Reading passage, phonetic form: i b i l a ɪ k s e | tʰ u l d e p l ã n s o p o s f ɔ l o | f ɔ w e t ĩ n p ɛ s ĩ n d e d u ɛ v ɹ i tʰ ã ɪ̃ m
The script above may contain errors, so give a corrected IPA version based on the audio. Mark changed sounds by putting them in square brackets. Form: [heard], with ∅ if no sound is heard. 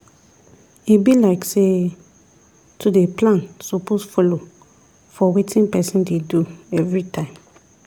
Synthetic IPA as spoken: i b i l a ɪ k s e | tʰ u [∅] d e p l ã n s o p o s f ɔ l o | f ɔ w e t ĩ n p ɛ s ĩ n d e d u ɛ v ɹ i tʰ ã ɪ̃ m